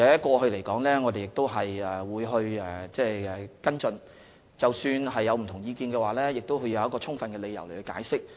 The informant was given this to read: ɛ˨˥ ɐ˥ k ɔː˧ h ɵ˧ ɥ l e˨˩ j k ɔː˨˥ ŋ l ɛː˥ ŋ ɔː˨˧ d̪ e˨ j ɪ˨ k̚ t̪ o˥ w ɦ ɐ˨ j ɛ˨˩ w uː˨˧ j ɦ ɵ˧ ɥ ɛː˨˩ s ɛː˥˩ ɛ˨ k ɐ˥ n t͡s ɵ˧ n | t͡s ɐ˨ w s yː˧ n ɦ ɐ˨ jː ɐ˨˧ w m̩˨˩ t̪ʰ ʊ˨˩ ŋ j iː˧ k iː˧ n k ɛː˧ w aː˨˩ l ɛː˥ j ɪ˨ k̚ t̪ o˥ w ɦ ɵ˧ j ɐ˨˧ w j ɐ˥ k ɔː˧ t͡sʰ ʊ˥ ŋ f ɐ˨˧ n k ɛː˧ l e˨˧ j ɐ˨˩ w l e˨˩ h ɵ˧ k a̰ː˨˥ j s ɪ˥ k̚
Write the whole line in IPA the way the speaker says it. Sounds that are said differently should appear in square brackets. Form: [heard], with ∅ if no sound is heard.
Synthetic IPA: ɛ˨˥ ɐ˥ k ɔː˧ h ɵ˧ ɥ l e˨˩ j k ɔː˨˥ ŋ l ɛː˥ ŋ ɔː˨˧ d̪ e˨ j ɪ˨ k̚ t̪ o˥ w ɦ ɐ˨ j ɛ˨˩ w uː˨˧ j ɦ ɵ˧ ɥ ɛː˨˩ [t͡s] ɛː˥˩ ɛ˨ k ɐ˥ n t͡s ɵ˧ n | t͡s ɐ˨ w s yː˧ n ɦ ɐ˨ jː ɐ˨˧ w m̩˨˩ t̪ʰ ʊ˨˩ ŋ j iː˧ k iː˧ n k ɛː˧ w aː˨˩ l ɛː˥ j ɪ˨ k̚ t̪ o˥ w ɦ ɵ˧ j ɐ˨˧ w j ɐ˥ k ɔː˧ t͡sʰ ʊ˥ ŋ f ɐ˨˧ n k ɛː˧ l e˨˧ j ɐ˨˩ w l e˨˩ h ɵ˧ k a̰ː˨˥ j s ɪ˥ k̚

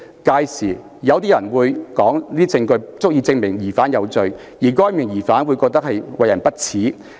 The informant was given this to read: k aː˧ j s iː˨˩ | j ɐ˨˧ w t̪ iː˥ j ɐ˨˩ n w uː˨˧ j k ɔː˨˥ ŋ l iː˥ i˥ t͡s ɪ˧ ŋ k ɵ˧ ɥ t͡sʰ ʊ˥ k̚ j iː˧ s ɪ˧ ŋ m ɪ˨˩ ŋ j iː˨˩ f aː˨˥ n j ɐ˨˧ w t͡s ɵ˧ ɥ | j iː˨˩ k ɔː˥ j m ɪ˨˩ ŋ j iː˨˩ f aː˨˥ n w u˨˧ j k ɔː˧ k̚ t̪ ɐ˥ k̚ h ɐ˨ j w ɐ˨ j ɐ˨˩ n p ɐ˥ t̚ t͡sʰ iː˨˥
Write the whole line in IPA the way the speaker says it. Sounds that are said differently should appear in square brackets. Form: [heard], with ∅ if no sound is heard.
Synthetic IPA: k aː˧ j s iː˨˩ | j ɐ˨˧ w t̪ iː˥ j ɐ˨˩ n w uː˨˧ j k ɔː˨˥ ŋ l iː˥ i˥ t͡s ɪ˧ ŋ k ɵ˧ ɥ [t͡s] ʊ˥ k̚ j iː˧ [t͡s] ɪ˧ ŋ m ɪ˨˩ ŋ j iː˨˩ f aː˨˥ n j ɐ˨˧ w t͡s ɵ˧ ɥ | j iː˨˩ k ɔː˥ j m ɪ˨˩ ŋ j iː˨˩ f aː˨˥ n w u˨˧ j k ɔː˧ k̚ t̪ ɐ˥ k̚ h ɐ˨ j w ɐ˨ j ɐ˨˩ n p ɐ˥ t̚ t͡sʰ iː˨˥

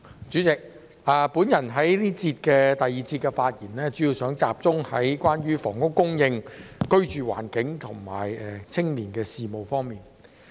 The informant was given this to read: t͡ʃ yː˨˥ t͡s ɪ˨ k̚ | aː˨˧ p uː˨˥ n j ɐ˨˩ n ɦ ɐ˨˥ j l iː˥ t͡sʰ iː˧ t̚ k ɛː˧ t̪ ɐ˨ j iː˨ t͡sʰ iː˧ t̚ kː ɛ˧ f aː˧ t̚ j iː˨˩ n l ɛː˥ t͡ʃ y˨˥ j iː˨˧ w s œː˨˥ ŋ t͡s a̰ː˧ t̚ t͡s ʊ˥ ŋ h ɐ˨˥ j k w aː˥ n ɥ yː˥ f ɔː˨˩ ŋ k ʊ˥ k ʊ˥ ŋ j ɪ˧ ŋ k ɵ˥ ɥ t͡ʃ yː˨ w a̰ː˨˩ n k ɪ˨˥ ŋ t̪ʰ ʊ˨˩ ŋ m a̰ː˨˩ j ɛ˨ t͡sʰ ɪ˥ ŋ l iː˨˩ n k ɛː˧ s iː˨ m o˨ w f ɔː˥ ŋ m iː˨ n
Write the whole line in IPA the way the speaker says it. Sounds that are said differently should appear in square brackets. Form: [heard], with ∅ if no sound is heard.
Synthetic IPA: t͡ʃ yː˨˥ t͡s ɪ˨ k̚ | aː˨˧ p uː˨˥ n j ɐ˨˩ n ɦ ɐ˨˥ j l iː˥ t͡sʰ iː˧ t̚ k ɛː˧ t̪ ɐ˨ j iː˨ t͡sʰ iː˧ t̚ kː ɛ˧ f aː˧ t̚ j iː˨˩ n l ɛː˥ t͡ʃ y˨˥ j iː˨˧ w s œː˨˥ ŋ t͡s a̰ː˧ [p̚] t͡s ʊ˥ ŋ h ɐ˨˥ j k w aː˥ n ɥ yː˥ f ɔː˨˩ ŋ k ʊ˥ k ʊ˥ ŋ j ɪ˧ ŋ k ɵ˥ ɥ t͡ʃ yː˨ w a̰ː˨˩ n k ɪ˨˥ ŋ t̪ʰ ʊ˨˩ ŋ m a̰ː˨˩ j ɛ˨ t͡sʰ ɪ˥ ŋ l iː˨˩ n k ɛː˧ s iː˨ m o˨ w f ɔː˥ ŋ m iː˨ n

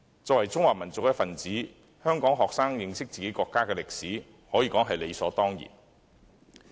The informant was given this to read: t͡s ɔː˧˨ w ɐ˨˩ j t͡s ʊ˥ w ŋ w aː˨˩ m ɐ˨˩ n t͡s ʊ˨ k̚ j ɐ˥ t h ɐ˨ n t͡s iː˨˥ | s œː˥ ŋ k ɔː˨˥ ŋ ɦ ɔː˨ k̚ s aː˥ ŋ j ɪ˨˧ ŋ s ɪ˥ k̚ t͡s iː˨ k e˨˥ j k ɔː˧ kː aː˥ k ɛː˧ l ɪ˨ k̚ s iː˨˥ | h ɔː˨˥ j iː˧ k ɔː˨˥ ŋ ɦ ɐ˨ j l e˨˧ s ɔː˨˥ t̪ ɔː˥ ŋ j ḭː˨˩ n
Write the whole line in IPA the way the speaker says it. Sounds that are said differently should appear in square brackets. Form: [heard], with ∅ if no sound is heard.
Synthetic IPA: t͡s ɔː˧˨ w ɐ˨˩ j t͡s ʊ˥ [∅] ŋ w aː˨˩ m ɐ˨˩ n t͡s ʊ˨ k̚ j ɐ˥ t [f] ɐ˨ n t͡s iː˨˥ | [h] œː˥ ŋ k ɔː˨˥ ŋ ɦ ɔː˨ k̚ s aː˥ ŋ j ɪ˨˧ ŋ s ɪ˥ k̚ t͡s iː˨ k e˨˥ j k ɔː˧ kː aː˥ k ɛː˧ l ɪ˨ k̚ s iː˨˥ | h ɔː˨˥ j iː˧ k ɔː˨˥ ŋ ɦ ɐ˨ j l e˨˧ s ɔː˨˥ t̪ ɔː˥ ŋ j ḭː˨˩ n

